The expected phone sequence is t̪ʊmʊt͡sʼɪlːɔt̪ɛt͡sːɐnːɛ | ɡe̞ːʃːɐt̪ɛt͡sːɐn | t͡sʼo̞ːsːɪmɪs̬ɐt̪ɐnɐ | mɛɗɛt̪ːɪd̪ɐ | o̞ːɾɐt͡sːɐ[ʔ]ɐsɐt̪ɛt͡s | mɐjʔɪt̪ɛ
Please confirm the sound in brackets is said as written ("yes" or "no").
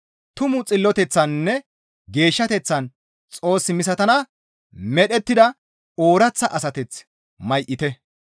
yes